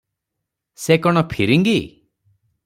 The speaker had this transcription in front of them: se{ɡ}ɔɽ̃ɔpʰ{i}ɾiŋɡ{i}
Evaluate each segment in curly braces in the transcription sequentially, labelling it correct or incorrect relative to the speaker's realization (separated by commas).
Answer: incorrect, correct, correct